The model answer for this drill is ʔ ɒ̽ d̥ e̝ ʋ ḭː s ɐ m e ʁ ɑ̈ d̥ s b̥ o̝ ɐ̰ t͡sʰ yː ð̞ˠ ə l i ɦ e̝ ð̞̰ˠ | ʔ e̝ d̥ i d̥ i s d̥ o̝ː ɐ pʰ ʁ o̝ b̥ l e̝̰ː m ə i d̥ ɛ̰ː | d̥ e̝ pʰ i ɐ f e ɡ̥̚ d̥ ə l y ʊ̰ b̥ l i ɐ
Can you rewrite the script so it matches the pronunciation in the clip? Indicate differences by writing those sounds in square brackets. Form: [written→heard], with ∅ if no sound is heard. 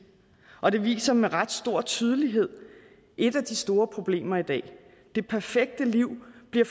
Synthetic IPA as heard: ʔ ɒ̽ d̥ e̝ ʋ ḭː s ɐ m e ʁ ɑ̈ d̥ s [b̥→d̥] o̝ ɐ̰ t͡sʰ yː ð̞ˠ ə l i ɦ e̝ ð̞̰ˠ | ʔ e̝ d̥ [i→æ] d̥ i s d̥ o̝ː ɐ pʰ ʁ o̝ b̥ l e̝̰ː m [ə→ɐ] i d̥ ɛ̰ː | d̥ e̝ pʰ [i→æ] ɐ f e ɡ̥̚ d̥ ə l [y→i] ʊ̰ b̥ l i ɐ

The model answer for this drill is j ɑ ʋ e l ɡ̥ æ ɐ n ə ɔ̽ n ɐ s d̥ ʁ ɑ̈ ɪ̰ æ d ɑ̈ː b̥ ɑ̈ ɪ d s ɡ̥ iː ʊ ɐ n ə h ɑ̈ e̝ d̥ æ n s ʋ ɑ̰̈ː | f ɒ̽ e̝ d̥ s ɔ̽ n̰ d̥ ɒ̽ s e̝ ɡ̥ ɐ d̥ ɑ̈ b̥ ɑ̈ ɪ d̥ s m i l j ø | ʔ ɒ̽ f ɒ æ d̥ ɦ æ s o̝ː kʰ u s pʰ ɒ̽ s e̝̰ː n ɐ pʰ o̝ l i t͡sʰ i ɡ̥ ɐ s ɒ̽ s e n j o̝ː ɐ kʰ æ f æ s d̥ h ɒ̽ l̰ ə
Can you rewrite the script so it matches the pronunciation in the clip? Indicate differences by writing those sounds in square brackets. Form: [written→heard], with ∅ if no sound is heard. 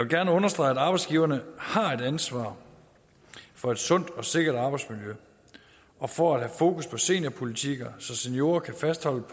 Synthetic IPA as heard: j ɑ ʋ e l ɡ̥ æ ɐ n ə ɔ̽ n ɐ s d̥ ʁ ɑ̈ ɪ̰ æ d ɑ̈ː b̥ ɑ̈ ɪ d s ɡ̥ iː ʊ ɐ n ə h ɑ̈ e̝ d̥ æ n s ʋ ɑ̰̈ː | f ɒ̽ e̝ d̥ s ɔ̽ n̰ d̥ ɒ̽ s e̝ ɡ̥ ɐ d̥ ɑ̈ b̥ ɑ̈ ɪ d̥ s m i l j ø | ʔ ɒ̽ f ɒ æ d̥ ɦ æ [s→f] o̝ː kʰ u s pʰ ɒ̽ s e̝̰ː n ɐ pʰ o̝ l i t͡sʰ i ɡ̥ ɐ s ɒ̽ s e n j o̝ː ɐ kʰ æ f æ s d̥ h ɒ̽ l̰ ə

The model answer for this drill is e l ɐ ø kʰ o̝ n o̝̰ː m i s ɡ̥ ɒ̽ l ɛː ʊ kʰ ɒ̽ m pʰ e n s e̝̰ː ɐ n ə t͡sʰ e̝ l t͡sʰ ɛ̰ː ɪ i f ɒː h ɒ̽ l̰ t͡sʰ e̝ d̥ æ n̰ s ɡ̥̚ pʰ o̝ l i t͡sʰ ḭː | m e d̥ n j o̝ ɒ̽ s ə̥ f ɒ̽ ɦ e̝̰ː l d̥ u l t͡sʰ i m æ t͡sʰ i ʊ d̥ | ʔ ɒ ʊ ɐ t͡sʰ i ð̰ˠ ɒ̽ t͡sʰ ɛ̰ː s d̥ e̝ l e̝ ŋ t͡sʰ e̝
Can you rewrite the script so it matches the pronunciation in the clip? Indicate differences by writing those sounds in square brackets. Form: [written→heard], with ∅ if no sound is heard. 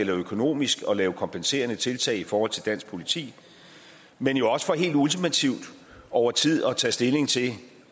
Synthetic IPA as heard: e l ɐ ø kʰ o̝ n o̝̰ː m i s ɡ̥ ɒ̽ l ɛː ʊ kʰ ɒ̽ m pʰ e n s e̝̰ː ɐ n ə t͡sʰ e̝ l t͡sʰ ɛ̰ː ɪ i f ɒː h ɒ̽ l̰ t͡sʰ e̝ d̥ æ n̰ s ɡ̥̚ pʰ o̝ l i t͡sʰ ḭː | m e [d̥→∅] n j o̝ ɒ̽ s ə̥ f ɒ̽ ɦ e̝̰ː l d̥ u l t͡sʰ i m æ t͡sʰ i ʊ d̥ | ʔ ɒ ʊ ɐ t͡sʰ i ð̰ˠ ɒ̽ t͡sʰ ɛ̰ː s d̥ e̝ l e̝ ŋ t͡sʰ e̝

